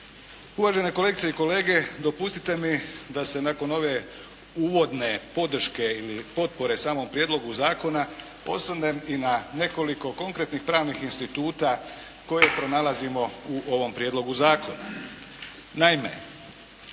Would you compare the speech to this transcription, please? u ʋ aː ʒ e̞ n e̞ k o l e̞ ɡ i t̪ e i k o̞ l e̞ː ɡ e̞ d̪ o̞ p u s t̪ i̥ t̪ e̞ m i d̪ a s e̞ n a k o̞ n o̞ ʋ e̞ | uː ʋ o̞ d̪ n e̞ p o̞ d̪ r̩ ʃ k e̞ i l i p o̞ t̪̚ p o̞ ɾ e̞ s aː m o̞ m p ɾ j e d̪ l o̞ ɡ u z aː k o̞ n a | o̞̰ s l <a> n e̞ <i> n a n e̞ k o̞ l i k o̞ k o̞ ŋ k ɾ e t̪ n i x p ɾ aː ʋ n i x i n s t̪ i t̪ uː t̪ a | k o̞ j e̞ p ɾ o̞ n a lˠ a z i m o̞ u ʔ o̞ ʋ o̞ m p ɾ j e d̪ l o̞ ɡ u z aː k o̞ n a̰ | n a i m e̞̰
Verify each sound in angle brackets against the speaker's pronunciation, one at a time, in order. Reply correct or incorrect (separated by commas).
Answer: correct, correct